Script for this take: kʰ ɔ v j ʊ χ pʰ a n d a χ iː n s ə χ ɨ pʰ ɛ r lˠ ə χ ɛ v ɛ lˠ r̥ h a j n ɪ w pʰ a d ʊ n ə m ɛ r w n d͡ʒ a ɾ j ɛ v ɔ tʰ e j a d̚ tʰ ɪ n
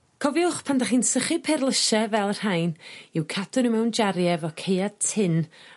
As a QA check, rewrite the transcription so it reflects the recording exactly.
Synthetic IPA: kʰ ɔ v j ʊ χ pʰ a n d a χ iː n s ə χ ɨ pʰ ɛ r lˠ ə ʃ ɛ v ɛ lˠ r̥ h a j n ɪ w kʰ a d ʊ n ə m ɛ w n d͡ʒ a ɾ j ɛ v ɔ kʰ e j a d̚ tʰ ɪ n